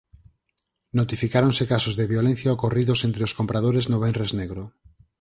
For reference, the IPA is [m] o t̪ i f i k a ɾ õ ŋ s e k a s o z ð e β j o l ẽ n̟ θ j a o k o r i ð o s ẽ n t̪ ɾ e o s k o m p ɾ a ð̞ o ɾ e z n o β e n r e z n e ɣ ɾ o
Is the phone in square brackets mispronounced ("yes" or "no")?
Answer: yes